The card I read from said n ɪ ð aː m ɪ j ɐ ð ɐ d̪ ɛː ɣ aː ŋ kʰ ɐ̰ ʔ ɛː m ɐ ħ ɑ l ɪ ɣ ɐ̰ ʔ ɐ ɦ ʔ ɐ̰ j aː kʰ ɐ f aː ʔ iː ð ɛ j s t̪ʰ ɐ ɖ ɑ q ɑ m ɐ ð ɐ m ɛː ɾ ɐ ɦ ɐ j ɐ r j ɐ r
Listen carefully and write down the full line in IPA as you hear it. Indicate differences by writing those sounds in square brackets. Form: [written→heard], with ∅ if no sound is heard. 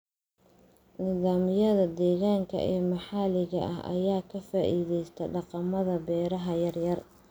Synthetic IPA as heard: n ɪ ð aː m ɪ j ɐ ð ɐ d̪ ɛː ɣ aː ŋ kʰ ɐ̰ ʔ ɛː m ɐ ħ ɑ l ɪ ɣ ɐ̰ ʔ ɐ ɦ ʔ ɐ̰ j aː kʰ ɐ f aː ʔ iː ð ɛ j s t̪ʰ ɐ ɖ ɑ q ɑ m ɐ ð ɐ [m→b] ɛː ɾ ɐ ɦ ɐ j ɐ r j ɐ r

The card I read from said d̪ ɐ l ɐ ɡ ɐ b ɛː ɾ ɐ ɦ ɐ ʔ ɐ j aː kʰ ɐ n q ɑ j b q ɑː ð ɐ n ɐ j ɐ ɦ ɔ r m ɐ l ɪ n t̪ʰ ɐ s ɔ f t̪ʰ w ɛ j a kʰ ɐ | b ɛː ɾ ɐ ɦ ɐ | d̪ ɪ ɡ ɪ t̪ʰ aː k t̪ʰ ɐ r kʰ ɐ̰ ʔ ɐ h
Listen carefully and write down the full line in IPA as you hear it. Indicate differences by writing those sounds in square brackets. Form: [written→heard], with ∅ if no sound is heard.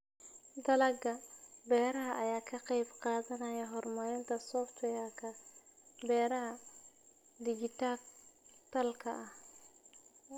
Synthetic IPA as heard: d̪ ɐ l ɐ ɡ ɐ b ɛː ɾ ɐ ɦ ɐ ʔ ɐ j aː kʰ ɐ [n→∅] q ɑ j b q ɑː ð ɐ n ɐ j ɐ ɦ ɔ r m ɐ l ɪ n t̪ʰ ɐ s ɔ f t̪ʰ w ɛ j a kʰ ɐ | b ɛː ɾ ɐ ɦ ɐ | d̪ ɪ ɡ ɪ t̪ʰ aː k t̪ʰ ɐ [r→l] kʰ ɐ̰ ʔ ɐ h

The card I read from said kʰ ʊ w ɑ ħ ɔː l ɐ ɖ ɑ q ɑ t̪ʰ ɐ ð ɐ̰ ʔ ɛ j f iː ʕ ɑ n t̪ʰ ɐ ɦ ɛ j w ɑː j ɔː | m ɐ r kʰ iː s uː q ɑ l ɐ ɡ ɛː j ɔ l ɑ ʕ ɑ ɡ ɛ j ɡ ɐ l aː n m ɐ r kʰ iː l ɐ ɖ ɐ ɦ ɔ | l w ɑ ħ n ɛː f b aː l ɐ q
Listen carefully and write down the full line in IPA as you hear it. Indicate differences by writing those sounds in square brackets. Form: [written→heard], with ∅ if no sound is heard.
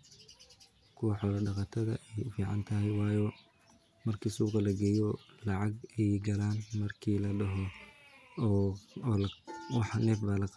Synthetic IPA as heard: kʰ ʊ w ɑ ħ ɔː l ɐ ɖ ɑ q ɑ t̪ʰ ɐ ð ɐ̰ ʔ ɛ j f iː ʕ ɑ n t̪ʰ ɐ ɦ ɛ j w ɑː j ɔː | m ɐ r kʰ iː s uː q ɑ l ɐ ɡ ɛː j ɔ l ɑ ʕ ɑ ɡ ɛ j ɡ ɐ l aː n m ɐ r kʰ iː l ɐ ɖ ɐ ɦ ɔ | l w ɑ ħ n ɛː f b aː l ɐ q

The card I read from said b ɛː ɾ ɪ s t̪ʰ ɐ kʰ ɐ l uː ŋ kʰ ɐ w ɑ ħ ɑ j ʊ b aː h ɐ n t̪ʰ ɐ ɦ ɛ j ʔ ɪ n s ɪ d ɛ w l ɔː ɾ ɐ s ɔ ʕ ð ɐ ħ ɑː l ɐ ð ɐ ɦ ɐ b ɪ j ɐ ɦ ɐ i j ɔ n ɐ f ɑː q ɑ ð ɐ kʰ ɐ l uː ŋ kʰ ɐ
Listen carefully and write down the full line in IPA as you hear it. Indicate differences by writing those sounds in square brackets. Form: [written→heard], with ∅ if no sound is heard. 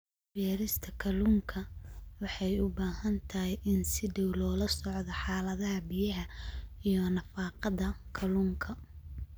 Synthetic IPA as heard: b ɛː ɾ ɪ s t̪ʰ ɐ kʰ ɐ l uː ŋ kʰ ɐ w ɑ ħ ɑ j ʊ b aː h ɐ n t̪ʰ ɐ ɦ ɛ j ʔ ɪ n s ɪ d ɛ w l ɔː [ɾ→l] ɐ s ɔ ʕ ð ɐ ħ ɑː l ɐ ð ɐ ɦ ɐ b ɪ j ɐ ɦ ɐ i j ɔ n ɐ f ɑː q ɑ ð ɐ kʰ ɐ l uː ŋ kʰ ɐ

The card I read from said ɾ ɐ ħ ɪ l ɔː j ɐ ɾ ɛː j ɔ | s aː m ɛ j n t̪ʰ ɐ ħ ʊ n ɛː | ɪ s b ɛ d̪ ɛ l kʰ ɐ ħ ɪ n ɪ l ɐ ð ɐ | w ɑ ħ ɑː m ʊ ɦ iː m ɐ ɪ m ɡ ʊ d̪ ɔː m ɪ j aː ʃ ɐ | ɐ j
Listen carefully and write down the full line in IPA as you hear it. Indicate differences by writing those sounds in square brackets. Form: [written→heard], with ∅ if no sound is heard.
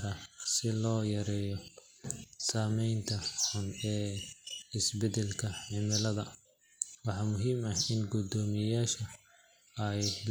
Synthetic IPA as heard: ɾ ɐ [ħ→s] ɪ l ɔː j ɐ ɾ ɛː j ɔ | s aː m ɛ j n t̪ʰ ɐ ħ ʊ n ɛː | ɪ s b ɛ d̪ ɛ l kʰ ɐ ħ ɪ [n→m] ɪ l ɐ ð ɐ | w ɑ ħ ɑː m ʊ ɦ iː m ɐ ɪ [m→n] ɡ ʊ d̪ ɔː m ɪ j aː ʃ ɐ | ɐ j

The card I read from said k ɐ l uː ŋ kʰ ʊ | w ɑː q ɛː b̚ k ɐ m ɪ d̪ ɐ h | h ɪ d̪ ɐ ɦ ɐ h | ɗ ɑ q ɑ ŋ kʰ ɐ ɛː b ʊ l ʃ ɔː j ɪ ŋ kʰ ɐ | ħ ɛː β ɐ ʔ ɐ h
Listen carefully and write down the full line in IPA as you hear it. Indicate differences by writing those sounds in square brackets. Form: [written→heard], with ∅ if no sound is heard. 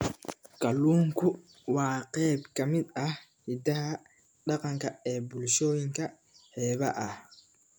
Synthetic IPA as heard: k ɐ l uː ŋ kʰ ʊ | w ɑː q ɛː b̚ k ɐ m ɪ d̪ ɐ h | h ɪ d̪ ɐ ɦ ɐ [h→∅] | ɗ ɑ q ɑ ŋ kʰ ɐ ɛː b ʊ l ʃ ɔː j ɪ ŋ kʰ ɐ | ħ ɛː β ɐ ʔ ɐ h

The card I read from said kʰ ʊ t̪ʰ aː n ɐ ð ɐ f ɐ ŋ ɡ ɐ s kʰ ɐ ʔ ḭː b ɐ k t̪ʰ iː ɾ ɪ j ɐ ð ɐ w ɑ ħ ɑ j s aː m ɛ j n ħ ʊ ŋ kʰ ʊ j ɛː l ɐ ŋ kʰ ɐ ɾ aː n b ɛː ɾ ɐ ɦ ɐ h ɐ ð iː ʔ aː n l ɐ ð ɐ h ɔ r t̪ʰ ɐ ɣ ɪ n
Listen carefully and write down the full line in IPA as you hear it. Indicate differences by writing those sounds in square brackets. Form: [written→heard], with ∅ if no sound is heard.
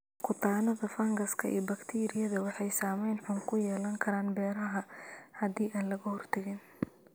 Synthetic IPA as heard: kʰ ʊ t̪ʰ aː n ɐ ð ɐ f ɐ ŋ ɡ ɐ s kʰ ɐ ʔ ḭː b ɐ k t̪ʰ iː ɾ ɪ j ɐ ð ɐ w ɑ ħ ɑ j s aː m ɛ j n ħ ʊ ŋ kʰ ʊ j ɛː l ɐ ŋ kʰ ɐ ɾ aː n b ɛː ɾ ɐ ɦ ɐ h ɐ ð iː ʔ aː n l ɐ [ð→ɣ] ɐ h ɔ r t̪ʰ ɐ ɣ ɪ n

